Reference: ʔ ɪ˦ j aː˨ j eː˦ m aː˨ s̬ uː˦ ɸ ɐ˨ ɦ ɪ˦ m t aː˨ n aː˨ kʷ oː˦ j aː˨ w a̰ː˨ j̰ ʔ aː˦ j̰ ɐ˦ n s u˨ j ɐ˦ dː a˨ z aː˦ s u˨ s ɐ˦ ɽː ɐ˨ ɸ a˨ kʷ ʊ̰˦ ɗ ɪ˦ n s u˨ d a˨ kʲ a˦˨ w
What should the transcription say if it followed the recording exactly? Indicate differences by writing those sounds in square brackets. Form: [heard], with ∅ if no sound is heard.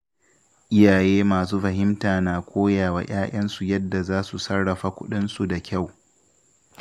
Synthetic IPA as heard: ʔ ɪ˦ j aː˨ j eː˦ m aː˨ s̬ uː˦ ɸ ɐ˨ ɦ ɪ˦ m t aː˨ n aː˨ kʷ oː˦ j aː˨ w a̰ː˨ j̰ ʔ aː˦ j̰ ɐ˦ n s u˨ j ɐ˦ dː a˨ z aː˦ s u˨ s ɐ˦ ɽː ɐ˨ ɸ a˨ kʷ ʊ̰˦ ɗ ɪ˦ n s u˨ d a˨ kʲ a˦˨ w